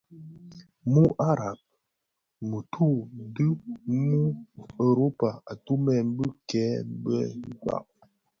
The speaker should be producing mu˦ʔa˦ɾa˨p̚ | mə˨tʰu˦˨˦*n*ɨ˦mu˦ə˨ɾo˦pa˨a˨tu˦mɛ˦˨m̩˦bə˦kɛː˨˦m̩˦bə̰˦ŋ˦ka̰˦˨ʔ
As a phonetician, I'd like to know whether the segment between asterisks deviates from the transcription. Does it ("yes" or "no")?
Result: yes